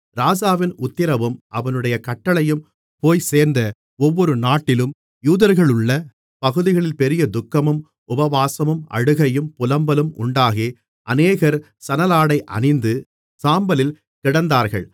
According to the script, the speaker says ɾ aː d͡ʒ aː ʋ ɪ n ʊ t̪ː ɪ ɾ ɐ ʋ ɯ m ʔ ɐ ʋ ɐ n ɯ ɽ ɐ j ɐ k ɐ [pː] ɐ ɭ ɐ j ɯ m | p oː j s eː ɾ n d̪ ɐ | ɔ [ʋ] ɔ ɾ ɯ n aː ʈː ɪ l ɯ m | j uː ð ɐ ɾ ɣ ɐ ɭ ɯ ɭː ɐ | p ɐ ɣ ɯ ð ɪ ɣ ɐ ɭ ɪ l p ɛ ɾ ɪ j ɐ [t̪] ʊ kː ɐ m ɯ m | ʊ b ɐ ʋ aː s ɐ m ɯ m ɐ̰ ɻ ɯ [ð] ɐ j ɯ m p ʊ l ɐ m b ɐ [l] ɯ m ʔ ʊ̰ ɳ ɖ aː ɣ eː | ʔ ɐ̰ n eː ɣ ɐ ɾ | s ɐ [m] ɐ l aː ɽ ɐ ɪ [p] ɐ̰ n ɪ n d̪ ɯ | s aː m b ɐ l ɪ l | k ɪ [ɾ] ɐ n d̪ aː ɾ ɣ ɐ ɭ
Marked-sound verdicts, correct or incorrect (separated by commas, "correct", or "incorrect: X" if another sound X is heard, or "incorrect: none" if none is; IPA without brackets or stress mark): incorrect: ʈː, incorrect: ʋː, incorrect: d̪, incorrect: ɣ, correct, incorrect: n, incorrect: ʔ, incorrect: ɽ